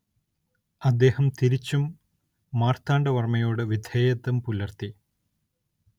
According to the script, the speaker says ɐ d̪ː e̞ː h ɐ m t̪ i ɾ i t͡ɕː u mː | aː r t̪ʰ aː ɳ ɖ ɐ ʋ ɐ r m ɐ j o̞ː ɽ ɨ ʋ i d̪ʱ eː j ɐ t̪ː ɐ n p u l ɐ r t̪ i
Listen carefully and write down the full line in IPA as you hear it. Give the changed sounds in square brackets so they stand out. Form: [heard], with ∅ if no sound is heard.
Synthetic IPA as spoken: ɐ d̪ː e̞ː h ɐ m t̪ i ɾ i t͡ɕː u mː | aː r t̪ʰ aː ɳ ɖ ɐ ʋ ɐ r m ɐ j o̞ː ɽ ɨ ʋ i d̪ʱ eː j ɐ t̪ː ɐ [m] p u l ɐ r t̪ i